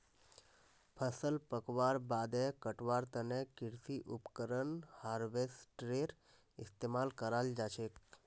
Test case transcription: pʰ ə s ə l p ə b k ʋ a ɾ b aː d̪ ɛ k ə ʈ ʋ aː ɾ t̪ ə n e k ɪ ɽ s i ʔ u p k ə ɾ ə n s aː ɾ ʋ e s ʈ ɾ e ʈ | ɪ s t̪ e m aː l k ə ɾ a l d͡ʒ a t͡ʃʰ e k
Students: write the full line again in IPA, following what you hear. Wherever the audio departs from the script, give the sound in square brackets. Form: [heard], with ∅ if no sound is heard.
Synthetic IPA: pʰ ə s ə l p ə [∅] k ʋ a ɾ b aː d̪ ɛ k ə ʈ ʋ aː ɾ t̪ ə n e k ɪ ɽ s i ʔ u p k ə ɾ ə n [h] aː ɾ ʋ e s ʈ ɾ e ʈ | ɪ s t̪ e m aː l k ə ɾ a l d͡ʒ a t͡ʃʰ e k